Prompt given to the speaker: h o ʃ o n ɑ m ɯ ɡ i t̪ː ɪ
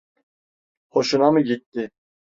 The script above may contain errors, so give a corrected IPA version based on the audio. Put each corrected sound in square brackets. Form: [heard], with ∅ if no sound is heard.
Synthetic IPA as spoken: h o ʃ [u] n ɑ m ɯ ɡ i t̪ː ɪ